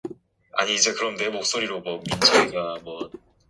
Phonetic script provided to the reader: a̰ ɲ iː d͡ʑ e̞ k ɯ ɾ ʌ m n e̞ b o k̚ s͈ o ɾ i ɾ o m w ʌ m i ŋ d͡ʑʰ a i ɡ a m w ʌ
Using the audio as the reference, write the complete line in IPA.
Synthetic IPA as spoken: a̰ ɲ iː d͡ʑ e̞ k ɯ ɾ ʌ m n e̞ m o k̚ s͈ o ɾ i ɾ o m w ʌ m i n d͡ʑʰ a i ɡ a m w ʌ

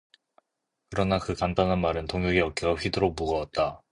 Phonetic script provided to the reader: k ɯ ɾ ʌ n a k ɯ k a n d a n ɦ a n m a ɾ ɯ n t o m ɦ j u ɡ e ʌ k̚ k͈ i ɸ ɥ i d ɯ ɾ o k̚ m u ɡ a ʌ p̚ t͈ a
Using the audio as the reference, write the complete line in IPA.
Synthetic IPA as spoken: k ɯ ɾ ʌ n a k ɯ k a n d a n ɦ a n m a ɾ ɯ n t o ŋ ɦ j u ɡ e ʌ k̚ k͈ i ɸ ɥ i d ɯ ɾ o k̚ m u ɡ ʌ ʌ t̚ t͈ a

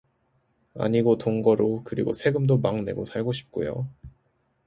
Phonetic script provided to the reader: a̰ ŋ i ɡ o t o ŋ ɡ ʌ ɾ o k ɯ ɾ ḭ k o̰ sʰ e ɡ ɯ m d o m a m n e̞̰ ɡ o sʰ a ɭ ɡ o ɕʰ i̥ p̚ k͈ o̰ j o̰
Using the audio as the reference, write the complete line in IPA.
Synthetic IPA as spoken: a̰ ɲ i ɡ o t o ŋ ɡ ʌ ɾ o k ɯ ɾ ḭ ɡ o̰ sʰ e ɡ ɯ m d o m a ŋ n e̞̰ ɡ o sʰ a ɭ ɡ o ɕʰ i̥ p̚ k͈ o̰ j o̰

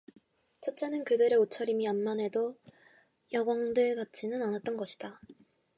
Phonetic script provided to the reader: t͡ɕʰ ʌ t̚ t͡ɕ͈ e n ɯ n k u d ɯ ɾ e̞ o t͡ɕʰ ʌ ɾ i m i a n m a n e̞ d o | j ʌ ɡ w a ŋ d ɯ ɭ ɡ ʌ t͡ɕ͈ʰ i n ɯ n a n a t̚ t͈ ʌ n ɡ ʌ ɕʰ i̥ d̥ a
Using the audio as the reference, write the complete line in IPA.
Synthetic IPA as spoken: t͡ɕʰ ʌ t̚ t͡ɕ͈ e n ɯ n k ɯ d ɯ ɾ e̞ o t͡ɕʰ ʌ ɾ i m i a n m a n e̞ d o | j ʌ ɡ w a ŋ d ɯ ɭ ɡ a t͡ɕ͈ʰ i n ɯ n a n a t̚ t͈ ʌ n ɡ ʌ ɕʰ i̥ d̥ a

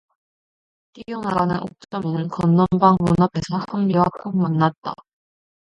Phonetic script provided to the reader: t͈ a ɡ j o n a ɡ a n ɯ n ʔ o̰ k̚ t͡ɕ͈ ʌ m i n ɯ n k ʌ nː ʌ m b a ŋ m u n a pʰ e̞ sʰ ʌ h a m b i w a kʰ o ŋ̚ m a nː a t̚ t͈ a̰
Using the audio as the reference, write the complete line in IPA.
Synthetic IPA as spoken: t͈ i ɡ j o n a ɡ a n ɯ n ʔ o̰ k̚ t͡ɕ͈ ʌ m i n ɯ n k ʌ nː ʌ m b a ŋ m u n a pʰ e̞ sʰ ʌ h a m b i w a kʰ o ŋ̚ m a nː a t̚ t͈ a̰

